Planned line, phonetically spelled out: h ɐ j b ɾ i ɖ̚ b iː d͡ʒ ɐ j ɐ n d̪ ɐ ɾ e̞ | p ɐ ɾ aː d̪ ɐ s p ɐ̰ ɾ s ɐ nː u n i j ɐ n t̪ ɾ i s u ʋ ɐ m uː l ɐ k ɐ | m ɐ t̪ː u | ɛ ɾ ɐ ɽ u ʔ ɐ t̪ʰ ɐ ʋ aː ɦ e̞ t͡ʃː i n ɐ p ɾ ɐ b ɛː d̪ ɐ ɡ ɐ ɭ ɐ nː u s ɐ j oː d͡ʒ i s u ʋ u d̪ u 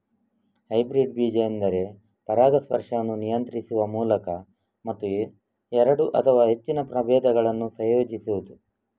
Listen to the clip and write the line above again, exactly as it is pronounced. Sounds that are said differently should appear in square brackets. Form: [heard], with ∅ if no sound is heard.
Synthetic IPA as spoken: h ɐ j b ɾ i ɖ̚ b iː d͡ʒ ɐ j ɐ n d̪ ɐ ɾ e̞ | p ɐ ɾ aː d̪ ɐ s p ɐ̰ ɾ [ʂ] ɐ nː u n i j ɐ n t̪ ɾ i s u ʋ ɐ m uː l ɐ k ɐ | m ɐ t̪ː u | ɛ ɾ ɐ ɽ u ʔ ɐ t̪ʰ ɐ ʋ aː ɦ e̞ t͡ʃː i n ɐ p ɾ ɐ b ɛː d̪ ɐ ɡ ɐ ɭ ɐ nː u s ɐ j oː d͡ʒ i s u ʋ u d̪ u